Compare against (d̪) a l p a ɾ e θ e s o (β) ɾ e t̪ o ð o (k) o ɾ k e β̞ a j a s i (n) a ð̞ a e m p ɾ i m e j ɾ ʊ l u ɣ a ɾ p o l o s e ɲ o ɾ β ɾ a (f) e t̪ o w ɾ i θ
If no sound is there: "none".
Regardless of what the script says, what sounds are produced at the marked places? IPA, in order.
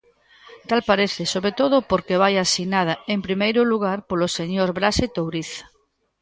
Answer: t̪, β, p, n, s

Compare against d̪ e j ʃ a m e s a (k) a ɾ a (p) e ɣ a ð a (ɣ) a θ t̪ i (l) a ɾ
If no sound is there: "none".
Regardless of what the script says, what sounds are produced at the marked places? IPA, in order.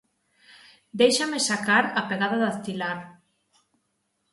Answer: k, p, ð, l

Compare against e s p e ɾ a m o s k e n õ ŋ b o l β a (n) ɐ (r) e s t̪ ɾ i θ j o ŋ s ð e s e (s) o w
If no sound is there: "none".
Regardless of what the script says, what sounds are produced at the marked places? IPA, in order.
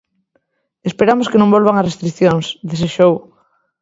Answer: ŋ, r, ʃ

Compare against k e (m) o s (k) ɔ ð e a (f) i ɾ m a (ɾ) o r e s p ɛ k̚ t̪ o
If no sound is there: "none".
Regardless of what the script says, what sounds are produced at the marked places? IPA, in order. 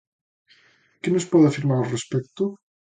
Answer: n, p, f, ɾ

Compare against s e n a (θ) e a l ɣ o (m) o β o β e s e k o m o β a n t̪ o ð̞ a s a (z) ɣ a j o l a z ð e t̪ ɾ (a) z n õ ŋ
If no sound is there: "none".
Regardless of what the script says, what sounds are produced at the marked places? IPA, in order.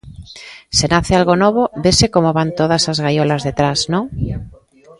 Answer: θ, n, z, a

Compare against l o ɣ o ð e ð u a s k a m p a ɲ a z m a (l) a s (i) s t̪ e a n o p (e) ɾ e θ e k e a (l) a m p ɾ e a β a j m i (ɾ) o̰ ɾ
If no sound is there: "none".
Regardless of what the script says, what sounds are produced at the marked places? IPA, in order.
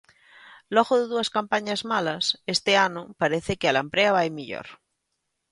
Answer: l, e, a, l, ʎ

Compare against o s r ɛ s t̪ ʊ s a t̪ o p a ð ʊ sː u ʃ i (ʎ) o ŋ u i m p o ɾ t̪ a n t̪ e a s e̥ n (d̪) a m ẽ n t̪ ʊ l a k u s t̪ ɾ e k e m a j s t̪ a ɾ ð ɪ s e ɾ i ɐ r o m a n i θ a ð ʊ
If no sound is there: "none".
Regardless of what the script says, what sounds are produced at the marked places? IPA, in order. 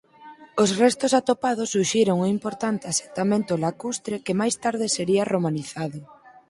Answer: ɾ, t̪

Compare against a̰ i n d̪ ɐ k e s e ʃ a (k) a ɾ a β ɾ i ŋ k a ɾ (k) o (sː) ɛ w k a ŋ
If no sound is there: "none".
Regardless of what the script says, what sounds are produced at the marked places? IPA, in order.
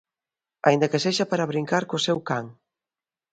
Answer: p, k, s

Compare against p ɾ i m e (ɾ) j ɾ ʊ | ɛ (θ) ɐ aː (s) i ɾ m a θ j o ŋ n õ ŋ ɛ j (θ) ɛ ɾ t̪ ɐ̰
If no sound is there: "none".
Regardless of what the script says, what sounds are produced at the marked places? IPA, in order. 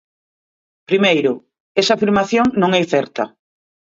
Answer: none, s, f, θ

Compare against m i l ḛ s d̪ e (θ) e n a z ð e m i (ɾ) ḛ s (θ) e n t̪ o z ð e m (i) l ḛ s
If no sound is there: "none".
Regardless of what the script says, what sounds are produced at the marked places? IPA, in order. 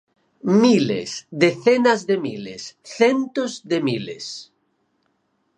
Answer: θ, l, θ, i

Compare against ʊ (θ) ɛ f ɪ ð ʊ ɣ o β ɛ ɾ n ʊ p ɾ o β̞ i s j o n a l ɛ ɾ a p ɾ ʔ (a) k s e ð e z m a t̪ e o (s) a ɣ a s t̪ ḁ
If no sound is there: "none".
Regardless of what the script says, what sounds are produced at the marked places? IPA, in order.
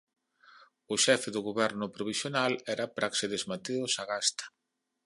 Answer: ʃ, a, s

